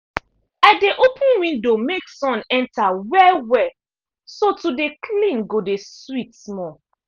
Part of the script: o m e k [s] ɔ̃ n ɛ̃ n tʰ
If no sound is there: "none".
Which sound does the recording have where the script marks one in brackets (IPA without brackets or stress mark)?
s